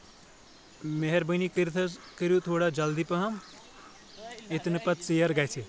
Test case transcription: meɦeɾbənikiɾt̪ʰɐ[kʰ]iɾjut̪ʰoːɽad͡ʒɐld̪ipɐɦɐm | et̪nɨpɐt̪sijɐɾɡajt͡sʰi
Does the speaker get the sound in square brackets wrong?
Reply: yes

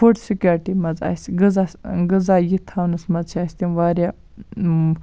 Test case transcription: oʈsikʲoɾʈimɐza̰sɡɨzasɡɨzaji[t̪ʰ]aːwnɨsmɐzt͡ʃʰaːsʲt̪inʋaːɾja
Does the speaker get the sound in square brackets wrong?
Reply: no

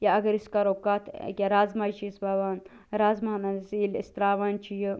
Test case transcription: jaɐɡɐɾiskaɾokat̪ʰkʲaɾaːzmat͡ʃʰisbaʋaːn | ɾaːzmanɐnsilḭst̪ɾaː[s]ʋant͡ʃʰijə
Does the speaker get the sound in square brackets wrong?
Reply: yes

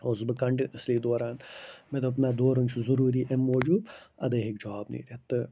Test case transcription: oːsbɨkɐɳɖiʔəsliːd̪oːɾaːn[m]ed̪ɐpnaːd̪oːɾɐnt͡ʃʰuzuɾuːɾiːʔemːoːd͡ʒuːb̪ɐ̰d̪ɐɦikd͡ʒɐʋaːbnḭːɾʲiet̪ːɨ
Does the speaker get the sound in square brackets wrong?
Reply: no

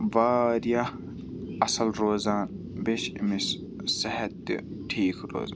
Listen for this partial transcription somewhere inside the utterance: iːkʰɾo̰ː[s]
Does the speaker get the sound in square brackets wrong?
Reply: yes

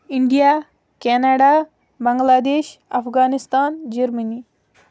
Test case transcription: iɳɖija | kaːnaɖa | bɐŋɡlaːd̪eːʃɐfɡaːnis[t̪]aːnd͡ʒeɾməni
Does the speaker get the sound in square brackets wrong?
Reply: no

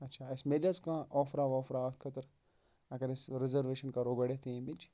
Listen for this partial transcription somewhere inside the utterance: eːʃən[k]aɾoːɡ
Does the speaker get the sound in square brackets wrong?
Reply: no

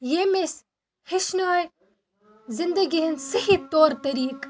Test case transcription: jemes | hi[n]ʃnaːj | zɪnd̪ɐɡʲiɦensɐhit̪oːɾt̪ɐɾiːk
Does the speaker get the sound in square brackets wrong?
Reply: yes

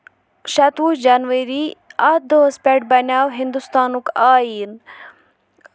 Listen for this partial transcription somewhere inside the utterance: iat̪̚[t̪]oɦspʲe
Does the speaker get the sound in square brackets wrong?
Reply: yes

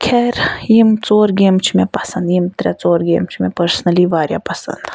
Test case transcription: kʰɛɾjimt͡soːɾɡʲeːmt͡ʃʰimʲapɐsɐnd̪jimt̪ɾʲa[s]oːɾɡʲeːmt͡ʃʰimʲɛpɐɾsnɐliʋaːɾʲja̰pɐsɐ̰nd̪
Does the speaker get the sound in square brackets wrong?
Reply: yes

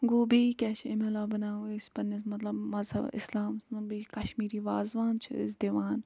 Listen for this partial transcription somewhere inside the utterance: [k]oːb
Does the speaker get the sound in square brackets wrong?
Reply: yes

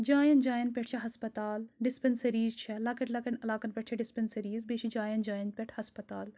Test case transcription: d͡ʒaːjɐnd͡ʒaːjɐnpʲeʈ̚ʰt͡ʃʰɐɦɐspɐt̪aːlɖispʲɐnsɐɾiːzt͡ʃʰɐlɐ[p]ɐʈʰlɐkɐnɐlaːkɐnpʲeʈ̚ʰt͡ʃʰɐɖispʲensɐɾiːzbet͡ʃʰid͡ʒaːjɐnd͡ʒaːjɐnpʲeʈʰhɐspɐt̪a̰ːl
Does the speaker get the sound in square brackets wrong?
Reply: yes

